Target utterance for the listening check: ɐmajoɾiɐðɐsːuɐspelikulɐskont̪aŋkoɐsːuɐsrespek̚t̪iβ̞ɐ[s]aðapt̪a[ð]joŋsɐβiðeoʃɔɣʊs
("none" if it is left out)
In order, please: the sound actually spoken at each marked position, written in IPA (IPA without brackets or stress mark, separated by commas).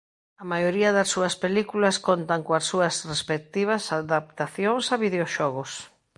s, θ